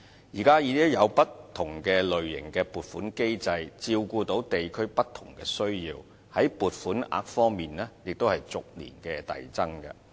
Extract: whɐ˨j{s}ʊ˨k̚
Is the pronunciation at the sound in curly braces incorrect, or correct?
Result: incorrect